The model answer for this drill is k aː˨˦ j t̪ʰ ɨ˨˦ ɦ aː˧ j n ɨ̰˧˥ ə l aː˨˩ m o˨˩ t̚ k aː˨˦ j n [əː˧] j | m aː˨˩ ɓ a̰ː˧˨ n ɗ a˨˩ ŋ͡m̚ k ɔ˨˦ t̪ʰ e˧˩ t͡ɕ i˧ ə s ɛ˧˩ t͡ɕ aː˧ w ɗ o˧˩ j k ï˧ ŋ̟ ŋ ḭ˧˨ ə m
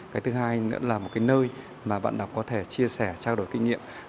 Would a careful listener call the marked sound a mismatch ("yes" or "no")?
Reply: no